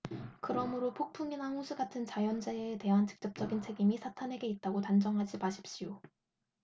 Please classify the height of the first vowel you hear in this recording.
high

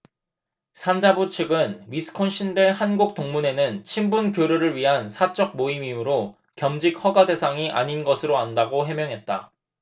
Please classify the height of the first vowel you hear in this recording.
low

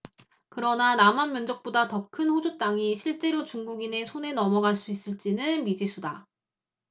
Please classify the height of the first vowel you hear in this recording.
high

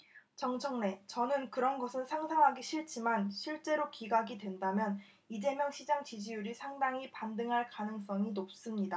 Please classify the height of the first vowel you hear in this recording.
mid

